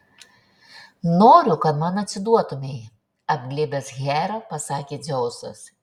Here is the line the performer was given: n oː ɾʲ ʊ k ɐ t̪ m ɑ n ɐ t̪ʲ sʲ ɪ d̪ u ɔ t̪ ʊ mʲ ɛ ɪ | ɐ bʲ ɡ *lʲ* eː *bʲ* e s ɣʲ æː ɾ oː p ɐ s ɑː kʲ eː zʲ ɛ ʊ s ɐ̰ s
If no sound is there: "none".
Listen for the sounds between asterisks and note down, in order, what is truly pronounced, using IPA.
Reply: lʲ, bʲ

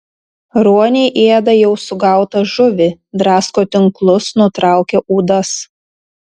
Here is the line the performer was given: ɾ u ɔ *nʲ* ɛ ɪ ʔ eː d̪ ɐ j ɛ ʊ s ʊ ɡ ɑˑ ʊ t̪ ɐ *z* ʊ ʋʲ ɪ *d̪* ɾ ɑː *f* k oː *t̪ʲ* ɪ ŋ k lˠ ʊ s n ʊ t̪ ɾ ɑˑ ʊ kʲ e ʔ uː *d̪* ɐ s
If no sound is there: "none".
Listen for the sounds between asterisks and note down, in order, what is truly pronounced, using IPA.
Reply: nʲ, ʒ, d̪, s, t̪ʲ, d̪

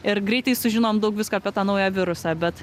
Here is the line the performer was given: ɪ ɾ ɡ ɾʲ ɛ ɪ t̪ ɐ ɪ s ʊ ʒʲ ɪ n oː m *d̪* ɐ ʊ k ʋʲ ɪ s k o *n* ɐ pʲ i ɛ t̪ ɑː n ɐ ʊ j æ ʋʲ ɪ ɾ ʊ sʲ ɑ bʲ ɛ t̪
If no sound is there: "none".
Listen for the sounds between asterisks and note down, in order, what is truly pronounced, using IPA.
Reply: d̪, none

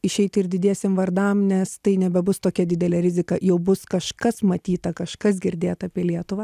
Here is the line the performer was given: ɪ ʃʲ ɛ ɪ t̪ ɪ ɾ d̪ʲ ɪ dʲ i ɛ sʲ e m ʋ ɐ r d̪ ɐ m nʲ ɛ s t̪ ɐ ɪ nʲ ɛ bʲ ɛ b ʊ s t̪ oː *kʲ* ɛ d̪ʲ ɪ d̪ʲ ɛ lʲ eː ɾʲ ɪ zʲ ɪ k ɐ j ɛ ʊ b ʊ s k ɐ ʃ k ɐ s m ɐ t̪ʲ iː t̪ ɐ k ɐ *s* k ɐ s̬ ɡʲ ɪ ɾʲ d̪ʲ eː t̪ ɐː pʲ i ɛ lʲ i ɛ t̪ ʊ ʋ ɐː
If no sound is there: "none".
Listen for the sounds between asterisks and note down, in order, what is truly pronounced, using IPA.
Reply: kʲ, ʃ

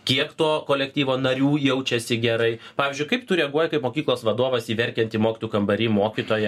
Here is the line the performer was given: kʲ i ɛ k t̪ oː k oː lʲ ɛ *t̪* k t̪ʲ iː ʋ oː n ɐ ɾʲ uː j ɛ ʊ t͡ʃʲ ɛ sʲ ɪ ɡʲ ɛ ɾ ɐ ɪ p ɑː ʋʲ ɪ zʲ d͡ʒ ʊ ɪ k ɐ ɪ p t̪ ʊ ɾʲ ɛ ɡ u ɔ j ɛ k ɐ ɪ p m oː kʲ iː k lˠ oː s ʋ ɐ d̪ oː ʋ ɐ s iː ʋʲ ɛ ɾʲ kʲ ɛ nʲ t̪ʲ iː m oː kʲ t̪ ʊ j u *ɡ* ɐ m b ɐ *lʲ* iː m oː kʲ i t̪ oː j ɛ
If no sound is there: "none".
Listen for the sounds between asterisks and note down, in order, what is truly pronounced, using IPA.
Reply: none, k, ɾʲ

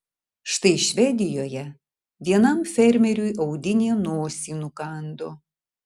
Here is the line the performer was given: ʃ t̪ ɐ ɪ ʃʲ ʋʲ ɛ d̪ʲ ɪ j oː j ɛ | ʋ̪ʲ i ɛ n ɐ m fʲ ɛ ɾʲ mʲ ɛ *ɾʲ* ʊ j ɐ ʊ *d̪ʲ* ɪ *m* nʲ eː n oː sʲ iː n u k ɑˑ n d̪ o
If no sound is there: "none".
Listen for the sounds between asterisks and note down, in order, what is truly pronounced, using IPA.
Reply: ɾʲ, d̪ʲ, none

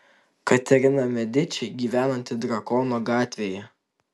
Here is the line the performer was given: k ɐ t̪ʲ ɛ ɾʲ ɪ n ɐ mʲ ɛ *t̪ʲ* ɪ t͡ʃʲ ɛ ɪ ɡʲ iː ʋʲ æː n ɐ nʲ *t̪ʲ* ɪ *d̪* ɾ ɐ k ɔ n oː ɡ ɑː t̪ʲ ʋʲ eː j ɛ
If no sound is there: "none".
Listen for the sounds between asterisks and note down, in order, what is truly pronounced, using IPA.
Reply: d̪ʲ, t̪ʲ, d̪

